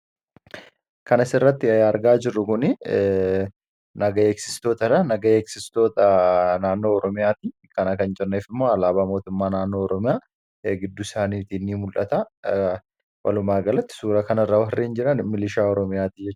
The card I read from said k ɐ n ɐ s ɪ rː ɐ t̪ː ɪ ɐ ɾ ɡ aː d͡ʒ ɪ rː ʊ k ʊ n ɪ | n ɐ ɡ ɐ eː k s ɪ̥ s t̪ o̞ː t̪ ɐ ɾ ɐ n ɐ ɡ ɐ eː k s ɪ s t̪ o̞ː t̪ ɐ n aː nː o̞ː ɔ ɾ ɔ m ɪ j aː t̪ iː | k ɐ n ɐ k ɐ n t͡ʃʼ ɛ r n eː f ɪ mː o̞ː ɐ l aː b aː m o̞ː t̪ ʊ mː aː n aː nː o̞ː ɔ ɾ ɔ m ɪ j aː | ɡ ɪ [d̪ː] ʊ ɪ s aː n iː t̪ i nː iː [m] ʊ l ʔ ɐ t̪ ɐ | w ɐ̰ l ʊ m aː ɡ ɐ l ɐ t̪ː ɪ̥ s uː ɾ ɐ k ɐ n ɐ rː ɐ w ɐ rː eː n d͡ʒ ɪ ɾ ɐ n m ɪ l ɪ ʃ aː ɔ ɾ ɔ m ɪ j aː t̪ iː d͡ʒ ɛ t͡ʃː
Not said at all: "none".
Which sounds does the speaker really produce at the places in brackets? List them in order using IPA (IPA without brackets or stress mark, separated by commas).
d̪ː, m